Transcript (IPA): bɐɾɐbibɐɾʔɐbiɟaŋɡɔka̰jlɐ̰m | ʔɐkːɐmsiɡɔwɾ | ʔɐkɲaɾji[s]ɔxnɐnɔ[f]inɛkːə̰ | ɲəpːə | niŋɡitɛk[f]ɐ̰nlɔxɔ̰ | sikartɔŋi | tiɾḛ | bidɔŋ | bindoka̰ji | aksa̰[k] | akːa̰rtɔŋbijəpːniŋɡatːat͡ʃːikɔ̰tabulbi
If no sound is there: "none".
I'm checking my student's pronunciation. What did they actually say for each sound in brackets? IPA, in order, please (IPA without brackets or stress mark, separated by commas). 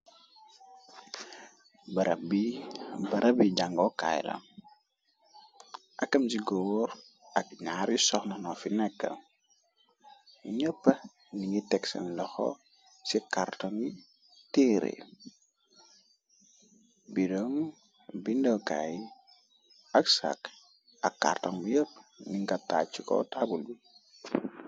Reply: s, f, s, k